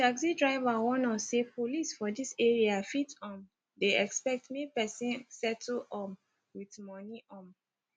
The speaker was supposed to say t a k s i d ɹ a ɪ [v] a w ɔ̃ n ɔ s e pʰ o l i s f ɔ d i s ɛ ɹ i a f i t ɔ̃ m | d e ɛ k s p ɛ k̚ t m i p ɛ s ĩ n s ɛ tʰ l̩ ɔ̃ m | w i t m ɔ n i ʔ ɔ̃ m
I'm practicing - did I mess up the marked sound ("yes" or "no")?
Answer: no